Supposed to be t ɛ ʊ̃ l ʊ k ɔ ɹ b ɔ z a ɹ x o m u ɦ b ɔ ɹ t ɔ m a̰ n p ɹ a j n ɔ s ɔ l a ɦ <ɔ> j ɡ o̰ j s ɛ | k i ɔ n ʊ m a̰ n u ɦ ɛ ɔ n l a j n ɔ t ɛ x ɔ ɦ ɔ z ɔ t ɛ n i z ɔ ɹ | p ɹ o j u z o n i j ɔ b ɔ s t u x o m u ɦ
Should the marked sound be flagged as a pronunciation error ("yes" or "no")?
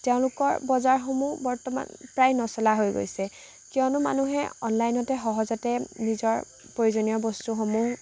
yes